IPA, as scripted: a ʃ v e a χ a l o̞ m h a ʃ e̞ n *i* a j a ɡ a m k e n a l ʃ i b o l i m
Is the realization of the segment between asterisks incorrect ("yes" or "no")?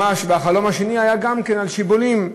no